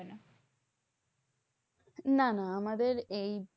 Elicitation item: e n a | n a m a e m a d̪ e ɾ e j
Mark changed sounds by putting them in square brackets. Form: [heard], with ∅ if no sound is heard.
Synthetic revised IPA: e n a | n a [n] a [a] m a d̪ e ɾ e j